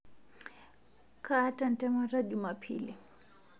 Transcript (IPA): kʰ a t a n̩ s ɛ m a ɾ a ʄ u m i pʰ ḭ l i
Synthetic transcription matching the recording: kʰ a t a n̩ t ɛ m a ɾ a ʄ u m a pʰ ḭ l i